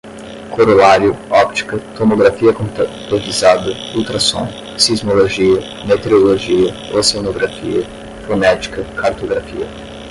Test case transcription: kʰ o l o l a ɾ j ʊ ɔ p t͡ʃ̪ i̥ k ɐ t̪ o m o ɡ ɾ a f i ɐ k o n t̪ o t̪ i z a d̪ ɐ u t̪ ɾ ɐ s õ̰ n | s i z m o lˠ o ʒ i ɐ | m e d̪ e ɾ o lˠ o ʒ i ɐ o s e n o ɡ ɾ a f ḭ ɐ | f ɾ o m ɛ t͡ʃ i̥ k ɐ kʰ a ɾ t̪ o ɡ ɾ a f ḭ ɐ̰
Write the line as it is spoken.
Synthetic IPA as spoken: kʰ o ɾ o l a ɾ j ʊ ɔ p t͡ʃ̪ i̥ k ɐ t̪ o m o ɡ ɾ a f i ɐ k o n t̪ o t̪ i z a d̪ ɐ u t̪ ɾ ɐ s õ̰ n | s i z m o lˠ o ʒ i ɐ | m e t̪ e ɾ o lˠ o ʒ i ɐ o s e n o ɡ ɾ a f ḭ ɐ | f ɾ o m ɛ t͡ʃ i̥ k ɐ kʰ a ɾ t̪ o ɡ ɾ a f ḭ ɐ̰